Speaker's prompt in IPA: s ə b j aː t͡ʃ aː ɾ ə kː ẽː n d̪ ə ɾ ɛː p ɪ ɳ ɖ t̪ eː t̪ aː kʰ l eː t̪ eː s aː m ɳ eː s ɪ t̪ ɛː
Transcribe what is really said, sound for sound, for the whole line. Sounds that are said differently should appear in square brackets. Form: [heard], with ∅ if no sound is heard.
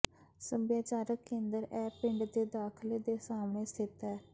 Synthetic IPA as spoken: s ə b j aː t͡ʃ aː ɾ ə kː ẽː n d̪ ə ɾ ɛː p ɪ ɳ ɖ [d̪] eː [d̪] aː kʰ l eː [d̪] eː s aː m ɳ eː s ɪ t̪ ɛː